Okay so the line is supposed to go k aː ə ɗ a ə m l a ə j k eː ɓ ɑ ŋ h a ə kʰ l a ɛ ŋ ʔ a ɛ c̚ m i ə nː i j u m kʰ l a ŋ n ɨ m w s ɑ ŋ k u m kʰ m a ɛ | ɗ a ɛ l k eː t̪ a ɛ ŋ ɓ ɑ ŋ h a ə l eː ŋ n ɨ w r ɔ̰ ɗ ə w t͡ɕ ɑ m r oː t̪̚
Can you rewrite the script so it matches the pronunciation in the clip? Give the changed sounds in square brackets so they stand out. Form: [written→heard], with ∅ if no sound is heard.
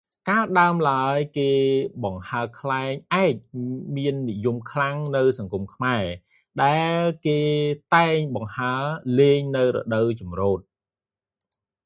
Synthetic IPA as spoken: k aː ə ɗ a ə m l a ə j k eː ɓ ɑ ŋ h a ə kʰ l a ɛ ŋ ʔ a ɛ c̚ m i ə nː i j u m kʰ l a ŋ n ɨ [m→∅] w s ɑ ŋ k u m kʰ m a ɛ | ɗ a ɛ l k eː t̪ a ɛ ŋ ɓ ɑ ŋ h a ə l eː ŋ n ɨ w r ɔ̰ ɗ ə w t͡ɕ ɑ m r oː t̪̚